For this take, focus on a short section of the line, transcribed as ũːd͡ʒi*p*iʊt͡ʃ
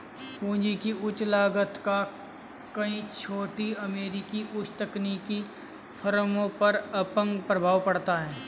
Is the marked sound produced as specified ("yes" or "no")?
no